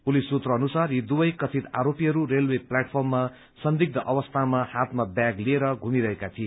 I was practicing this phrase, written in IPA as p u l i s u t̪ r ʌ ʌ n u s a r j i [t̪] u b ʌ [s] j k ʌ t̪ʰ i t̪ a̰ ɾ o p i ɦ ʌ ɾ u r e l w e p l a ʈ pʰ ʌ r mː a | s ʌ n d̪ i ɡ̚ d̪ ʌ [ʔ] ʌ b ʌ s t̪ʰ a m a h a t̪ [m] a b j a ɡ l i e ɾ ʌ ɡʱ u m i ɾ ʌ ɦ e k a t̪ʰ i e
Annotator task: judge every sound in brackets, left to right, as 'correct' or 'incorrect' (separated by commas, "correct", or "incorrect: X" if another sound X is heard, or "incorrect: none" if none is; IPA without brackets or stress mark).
incorrect: d̪, incorrect: none, correct, correct